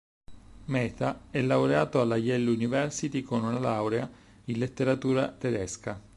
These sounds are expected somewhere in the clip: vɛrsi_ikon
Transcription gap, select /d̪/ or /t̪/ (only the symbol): t̪